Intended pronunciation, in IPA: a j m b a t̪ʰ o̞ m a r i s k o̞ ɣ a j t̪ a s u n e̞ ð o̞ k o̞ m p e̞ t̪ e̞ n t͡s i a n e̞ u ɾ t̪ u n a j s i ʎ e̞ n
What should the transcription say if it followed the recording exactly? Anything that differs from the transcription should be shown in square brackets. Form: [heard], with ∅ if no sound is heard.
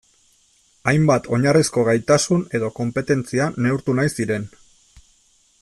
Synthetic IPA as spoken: a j m b a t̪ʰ o̞ [ɲ] a r i s k o̞ ɣ a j t̪ a s u n e̞ ð o̞ k o̞ m p e̞ t̪ e̞ n t͡s i a n e̞ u ɾ t̪ u n a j s i [ɾ] e̞ n